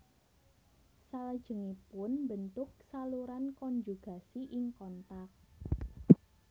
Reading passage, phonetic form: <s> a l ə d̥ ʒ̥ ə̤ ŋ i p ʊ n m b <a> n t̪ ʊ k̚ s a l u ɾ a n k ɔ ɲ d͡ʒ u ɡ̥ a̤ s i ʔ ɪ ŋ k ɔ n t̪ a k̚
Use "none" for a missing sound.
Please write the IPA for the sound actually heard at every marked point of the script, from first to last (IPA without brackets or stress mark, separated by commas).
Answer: s, ə